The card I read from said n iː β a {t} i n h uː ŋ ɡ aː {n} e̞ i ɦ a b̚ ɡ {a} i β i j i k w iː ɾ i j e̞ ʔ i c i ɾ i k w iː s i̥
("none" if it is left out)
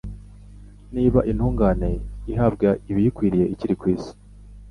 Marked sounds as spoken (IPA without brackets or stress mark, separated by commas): ʔ, n, a